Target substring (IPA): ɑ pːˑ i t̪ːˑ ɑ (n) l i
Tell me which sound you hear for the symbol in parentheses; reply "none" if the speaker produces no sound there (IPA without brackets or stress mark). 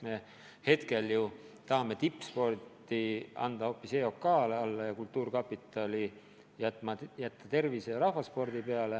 none